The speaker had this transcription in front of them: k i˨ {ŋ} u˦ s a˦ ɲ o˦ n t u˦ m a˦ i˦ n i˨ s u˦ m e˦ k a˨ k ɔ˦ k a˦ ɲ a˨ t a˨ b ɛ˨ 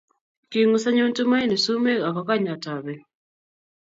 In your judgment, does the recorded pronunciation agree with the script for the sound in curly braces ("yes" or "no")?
yes